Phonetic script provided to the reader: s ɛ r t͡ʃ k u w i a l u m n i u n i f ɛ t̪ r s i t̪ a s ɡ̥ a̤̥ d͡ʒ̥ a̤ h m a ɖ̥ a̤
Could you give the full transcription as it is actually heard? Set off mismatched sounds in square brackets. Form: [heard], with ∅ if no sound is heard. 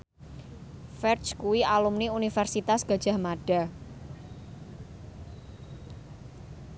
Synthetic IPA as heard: [f] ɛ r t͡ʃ k u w i a l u m n i u n i f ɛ [∅] r s i t̪ a s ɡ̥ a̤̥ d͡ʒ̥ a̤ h m a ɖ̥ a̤